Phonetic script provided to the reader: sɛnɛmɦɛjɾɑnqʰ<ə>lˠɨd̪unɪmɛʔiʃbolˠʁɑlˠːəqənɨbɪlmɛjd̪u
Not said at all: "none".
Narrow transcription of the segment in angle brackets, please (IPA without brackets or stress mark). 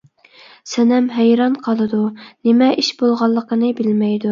ɑ